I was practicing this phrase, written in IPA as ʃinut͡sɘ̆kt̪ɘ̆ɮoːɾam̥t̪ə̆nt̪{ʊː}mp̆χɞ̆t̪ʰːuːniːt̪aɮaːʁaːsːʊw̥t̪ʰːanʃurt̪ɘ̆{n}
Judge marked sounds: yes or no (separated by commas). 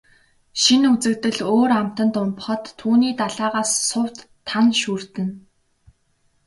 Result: no, yes